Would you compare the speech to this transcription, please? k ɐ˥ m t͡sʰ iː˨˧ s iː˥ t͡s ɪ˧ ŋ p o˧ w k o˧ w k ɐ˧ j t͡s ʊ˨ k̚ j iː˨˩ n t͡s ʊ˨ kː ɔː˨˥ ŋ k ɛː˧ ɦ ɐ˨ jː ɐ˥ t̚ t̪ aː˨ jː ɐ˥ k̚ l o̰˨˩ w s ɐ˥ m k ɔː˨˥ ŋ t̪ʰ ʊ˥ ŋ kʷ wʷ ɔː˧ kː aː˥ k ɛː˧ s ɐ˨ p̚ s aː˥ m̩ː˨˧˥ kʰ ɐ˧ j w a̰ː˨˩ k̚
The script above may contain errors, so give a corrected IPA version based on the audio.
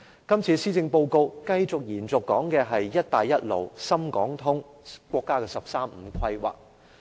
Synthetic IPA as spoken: k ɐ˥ m t͡sʰ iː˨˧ s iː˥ t͡s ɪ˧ ŋ p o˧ w k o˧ w k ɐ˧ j t͡s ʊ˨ k̚ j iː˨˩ n t͡s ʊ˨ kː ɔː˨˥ ŋ k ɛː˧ ɦ ɐ˨ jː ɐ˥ t̚ t̪ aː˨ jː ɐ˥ t̚ l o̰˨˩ w s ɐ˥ m k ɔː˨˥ ŋ t̪ʰ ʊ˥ ŋ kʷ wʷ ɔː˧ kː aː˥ k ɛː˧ s ɐ˨ p̚ s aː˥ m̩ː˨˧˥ kʰ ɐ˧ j w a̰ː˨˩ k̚